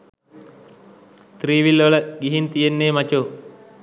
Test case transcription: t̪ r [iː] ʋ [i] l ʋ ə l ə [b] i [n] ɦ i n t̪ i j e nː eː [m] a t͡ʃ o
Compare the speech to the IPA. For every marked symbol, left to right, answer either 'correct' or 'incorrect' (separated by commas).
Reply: correct, correct, incorrect, incorrect, correct